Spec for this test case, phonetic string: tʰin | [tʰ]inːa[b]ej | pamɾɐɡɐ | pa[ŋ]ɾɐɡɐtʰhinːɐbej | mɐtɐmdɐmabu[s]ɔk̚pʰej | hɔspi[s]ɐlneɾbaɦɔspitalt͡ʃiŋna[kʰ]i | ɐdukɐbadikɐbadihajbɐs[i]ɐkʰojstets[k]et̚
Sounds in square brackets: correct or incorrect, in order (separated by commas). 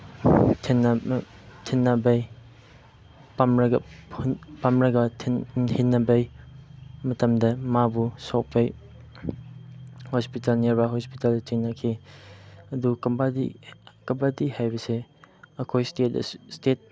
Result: correct, correct, incorrect, correct, incorrect, correct, incorrect, incorrect